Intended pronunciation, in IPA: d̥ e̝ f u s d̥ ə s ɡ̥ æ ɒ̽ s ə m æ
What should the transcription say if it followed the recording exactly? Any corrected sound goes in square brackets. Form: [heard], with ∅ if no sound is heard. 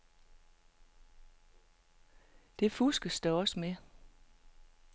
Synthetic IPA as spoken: d̥ e̝ f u s [ɡ̥] ə s [d̥] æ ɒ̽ s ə m [e]